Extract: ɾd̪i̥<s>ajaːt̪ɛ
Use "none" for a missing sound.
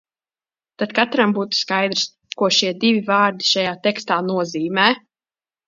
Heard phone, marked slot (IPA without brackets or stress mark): ʃ